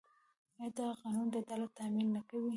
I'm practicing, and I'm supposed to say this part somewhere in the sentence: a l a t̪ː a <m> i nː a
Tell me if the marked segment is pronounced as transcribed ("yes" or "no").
yes